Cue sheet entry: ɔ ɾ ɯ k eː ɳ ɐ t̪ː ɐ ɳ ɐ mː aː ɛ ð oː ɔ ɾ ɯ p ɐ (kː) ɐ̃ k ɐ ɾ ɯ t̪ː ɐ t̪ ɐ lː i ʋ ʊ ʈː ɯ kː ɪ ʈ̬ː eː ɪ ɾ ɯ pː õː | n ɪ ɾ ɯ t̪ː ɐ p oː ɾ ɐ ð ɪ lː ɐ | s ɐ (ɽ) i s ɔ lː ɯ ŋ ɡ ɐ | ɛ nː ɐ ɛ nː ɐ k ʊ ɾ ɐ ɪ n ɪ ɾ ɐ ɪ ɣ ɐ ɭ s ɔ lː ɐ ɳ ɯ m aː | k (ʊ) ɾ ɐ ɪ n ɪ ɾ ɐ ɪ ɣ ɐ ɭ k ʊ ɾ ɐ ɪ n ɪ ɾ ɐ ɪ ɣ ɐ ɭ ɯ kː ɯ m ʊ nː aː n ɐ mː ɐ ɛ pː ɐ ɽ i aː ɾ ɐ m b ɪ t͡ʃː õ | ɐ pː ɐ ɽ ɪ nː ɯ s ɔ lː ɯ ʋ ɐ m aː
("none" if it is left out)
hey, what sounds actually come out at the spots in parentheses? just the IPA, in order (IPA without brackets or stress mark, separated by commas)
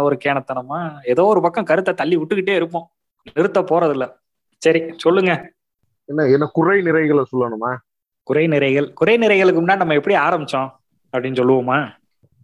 kː, ɾ, ʊ